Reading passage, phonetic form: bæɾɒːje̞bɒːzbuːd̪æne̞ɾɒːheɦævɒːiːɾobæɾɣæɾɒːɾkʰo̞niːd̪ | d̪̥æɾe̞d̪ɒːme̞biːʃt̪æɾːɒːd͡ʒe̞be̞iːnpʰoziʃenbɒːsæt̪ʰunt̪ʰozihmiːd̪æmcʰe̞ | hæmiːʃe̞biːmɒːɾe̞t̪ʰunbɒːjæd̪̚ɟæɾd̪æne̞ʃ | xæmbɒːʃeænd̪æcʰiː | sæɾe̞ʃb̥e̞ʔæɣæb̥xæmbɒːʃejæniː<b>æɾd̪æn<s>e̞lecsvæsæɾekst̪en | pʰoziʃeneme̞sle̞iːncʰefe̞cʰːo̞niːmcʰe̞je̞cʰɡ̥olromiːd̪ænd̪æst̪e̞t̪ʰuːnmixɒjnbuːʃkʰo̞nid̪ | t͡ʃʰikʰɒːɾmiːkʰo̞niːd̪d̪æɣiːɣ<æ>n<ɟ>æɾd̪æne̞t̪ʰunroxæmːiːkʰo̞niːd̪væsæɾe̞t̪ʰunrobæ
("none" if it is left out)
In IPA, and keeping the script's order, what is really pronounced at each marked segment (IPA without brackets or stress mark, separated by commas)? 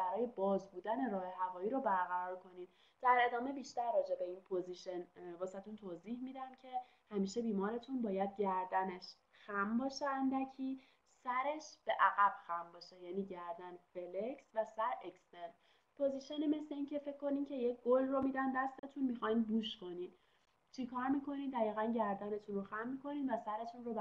ɟ, f, æ, ɟ